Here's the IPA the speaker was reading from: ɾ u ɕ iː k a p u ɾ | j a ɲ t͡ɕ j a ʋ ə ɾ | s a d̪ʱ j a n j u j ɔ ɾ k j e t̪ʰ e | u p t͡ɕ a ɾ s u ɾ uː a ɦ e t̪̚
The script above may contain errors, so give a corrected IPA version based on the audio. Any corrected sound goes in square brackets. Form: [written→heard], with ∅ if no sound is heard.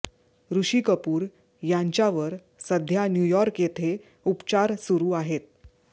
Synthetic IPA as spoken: ɾ u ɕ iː k [a→ə] p [u→uː] ɾ | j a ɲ t͡ɕ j a ʋ ə ɾ | s [a→ə] d̪ʱ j a n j u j ɔ ɾ k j e t̪ʰ e | u p t͡ɕ a ɾ s u ɾ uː a ɦ e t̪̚

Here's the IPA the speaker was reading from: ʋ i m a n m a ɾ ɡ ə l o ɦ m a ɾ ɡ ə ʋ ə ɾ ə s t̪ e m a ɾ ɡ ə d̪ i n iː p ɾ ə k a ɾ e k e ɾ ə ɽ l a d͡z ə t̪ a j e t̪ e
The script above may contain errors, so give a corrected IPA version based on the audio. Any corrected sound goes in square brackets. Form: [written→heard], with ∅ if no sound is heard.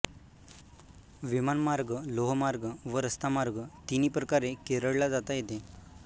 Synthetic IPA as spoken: ʋ i m a n m a ɾ ɡ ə l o ɦ m a ɾ ɡ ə ʋ ə ɾ ə s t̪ [e→a] m a ɾ ɡ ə [d̪→t̪] i n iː p ɾ ə k a ɾ e k e ɾ ə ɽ l a d͡z [ə→a] t̪ a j e t̪ e

